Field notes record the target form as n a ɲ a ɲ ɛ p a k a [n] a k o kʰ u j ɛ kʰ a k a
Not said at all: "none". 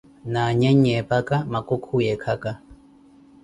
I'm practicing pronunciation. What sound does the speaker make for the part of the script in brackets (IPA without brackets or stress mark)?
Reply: m